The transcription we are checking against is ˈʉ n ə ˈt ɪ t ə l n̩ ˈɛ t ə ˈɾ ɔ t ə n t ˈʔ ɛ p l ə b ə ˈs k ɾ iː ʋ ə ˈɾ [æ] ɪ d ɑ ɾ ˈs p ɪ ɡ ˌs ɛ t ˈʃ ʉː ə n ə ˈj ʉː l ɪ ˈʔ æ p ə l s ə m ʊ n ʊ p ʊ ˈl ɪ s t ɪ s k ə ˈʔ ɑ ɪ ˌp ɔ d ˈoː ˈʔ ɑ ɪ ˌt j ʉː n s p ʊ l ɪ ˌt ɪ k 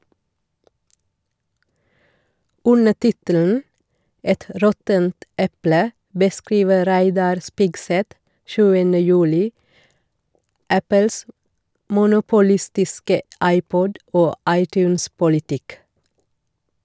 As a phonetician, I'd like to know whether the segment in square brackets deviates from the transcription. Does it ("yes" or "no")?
no